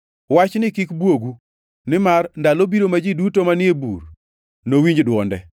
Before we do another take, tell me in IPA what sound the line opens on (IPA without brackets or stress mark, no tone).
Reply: w